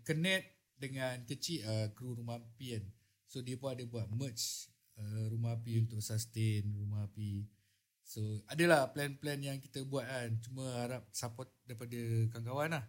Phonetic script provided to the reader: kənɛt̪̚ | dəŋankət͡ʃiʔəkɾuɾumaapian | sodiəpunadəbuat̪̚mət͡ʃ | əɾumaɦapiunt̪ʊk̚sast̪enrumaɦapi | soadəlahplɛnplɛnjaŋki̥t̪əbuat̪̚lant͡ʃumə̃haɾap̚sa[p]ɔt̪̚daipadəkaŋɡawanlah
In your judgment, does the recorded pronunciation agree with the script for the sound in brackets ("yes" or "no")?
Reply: yes